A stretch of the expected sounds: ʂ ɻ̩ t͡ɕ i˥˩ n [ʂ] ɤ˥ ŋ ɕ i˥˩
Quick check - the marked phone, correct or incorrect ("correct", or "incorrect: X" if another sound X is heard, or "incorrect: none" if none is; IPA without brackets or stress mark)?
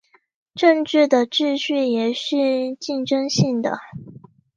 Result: incorrect: ʈ͡ʂ